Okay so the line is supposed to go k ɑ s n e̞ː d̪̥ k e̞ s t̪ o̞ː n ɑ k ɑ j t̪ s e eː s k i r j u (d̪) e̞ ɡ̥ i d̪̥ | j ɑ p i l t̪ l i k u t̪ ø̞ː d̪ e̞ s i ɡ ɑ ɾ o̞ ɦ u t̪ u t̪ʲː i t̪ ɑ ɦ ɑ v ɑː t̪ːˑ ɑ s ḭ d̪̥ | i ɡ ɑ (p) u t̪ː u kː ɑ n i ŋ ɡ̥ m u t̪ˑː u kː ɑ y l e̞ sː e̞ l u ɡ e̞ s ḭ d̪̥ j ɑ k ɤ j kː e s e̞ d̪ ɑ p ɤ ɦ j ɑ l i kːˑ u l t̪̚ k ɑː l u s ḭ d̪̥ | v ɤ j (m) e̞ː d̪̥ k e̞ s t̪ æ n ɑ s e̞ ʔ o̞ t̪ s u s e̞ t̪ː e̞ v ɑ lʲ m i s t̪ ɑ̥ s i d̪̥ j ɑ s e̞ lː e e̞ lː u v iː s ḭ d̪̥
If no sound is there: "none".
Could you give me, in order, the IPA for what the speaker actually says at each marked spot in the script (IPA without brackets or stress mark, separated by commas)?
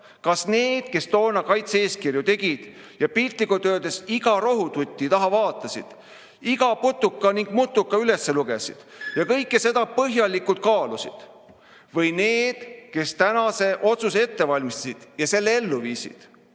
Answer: t̪, p, n